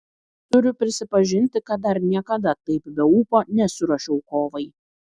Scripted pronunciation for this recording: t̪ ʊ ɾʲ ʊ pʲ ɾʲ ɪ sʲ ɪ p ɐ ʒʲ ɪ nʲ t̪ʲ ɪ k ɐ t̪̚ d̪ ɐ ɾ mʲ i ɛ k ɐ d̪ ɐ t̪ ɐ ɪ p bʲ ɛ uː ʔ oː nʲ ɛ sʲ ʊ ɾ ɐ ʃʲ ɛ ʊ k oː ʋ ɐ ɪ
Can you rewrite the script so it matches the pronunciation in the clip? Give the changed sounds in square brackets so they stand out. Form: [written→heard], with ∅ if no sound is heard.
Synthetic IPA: t̪ ʊ ɾʲ ʊ pʲ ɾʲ ɪ sʲ ɪ p ɐ ʒʲ ɪ nʲ t̪ʲ ɪ k ɐ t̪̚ d̪ ɐ ɾ [mʲ→nʲ] i ɛ k ɐ d̪ ɐ t̪ ɐ ɪ p bʲ ɛ uː [ʔ→p] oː nʲ ɛ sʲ ʊ ɾ ɐ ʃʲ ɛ ʊ k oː ʋ ɐ ɪ